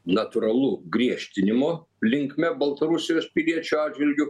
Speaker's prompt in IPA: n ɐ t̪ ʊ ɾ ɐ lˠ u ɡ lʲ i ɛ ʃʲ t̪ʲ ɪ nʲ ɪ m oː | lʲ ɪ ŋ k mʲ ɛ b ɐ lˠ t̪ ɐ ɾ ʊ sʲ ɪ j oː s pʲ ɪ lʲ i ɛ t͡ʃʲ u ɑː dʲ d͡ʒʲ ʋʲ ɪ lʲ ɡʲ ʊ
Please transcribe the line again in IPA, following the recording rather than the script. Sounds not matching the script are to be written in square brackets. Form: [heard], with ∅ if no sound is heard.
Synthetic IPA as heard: n ɐ t̪ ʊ ɾ ɐ lˠ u ɡ [ɾʲ] i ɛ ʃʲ t̪ʲ ɪ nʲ ɪ m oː | lʲ ɪ ŋ k mʲ ɛ b ɐ lˠ t̪ ɐ ɾ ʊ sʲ ɪ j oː s pʲ ɪ lʲ i ɛ t͡ʃʲ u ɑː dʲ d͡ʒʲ ʋʲ ɪ lʲ ɡʲ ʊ